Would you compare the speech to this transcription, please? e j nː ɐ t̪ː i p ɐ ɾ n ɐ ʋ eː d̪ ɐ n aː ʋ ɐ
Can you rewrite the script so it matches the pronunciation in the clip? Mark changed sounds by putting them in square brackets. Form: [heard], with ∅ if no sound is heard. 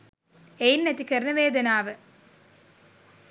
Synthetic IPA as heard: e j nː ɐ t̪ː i [k] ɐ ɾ n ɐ ʋ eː d̪ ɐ n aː ʋ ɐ